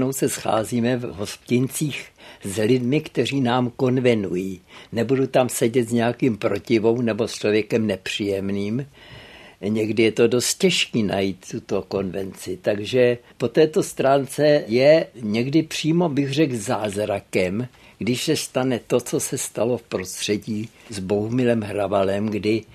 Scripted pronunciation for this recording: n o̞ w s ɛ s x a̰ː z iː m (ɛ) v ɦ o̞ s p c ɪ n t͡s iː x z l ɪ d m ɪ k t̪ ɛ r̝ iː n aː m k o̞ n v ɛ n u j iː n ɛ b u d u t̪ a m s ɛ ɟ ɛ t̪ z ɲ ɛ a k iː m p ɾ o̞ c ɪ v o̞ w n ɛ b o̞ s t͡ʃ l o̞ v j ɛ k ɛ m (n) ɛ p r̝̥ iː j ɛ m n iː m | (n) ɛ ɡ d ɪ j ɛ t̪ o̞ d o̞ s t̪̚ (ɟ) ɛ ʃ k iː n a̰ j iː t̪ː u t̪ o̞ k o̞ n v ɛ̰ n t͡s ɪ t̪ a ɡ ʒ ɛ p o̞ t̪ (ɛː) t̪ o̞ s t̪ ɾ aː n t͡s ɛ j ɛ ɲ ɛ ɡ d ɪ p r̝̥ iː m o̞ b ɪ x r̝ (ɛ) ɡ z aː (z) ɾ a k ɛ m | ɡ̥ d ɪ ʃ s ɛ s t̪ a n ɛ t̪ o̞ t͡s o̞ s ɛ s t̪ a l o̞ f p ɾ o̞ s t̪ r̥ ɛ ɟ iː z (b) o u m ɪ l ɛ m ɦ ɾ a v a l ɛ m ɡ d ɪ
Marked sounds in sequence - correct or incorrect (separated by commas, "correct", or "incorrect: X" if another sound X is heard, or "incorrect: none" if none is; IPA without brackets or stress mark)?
correct, correct, incorrect: ɲ, incorrect: c, correct, correct, correct, correct